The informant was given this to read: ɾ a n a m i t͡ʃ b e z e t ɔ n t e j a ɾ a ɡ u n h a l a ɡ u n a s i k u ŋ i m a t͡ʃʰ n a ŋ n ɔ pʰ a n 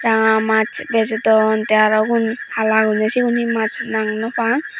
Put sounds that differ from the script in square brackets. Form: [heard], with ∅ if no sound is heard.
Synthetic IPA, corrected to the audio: ɾ a [ŋ] a m [a] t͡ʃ b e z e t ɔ n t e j a ɾ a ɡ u n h a l a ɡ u n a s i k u [n] i m a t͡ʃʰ n a ŋ n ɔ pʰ a [ŋ]